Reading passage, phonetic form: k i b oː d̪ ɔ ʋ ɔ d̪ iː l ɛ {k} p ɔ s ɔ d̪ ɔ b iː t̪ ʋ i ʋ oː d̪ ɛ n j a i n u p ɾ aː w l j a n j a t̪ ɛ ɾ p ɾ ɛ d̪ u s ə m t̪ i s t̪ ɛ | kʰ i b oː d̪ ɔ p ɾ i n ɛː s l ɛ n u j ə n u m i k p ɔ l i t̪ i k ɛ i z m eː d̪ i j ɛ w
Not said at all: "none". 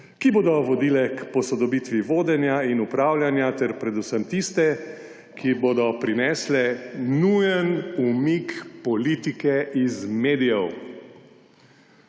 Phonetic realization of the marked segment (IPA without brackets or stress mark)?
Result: k